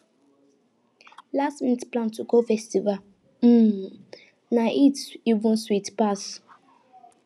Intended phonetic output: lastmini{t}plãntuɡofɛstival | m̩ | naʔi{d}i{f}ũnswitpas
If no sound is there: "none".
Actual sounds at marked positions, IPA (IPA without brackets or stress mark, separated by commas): t, t, v